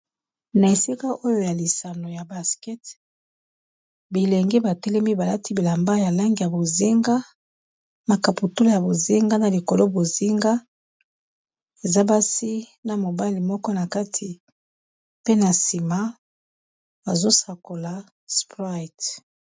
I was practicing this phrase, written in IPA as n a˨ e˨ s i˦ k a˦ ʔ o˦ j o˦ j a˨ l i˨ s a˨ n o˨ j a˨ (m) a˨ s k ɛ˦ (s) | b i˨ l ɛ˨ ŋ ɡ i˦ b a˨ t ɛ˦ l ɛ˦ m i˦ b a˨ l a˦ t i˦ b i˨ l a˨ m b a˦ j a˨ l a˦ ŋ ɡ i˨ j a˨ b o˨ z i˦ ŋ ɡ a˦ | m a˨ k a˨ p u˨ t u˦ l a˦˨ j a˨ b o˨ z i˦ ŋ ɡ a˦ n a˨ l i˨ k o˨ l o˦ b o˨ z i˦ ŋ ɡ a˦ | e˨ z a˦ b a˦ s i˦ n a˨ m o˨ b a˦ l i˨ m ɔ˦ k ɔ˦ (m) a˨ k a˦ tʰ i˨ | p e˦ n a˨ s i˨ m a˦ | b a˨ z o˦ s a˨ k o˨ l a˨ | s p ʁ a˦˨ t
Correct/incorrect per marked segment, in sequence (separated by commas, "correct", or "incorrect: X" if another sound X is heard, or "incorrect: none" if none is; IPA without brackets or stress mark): incorrect: b, incorrect: t, incorrect: n